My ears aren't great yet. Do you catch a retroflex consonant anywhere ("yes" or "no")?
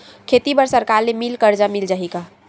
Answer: no